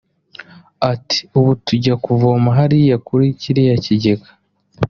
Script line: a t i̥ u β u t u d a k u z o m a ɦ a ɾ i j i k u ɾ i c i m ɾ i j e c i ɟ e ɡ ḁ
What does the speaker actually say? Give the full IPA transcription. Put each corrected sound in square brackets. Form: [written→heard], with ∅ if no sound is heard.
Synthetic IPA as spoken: a t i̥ u β u t u [d→ɟ] a k u [z→v] o m a ɦ a ɾ i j [i→a] k u ɾ i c i [m→∅] ɾ i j [e→a] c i ɟ e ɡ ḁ